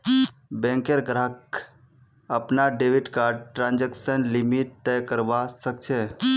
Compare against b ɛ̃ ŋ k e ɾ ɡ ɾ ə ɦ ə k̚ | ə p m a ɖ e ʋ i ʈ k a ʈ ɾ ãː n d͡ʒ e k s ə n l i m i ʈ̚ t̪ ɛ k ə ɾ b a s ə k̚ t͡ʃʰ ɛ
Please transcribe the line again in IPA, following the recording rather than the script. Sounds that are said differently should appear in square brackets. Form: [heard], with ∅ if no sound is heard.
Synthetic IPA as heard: b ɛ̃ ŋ k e ɾ ɡ ɾ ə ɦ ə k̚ | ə p [n] a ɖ e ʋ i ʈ k a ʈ ɾ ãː n d͡ʒ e k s ə n l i m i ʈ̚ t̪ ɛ k ə ɾ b a s ə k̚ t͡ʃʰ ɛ